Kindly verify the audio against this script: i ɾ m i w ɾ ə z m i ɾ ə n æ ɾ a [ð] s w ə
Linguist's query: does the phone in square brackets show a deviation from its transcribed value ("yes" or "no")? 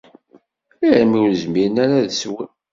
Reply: no